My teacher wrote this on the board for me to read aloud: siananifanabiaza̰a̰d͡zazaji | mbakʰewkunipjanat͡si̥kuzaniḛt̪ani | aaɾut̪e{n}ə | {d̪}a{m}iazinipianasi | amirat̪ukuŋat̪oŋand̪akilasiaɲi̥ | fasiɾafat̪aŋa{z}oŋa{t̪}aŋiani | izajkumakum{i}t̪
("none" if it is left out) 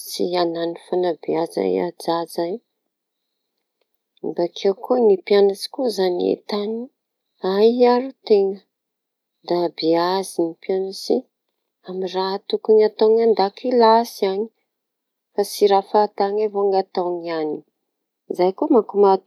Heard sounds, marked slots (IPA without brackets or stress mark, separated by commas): ŋ, d̪, b, v, t̪, a